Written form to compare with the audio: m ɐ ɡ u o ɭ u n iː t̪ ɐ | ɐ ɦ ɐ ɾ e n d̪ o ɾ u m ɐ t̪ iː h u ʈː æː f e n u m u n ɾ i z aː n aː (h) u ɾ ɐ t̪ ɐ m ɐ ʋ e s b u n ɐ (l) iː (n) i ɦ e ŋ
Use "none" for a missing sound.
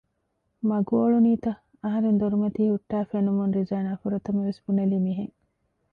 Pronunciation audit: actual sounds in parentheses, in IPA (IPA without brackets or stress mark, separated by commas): f, l, m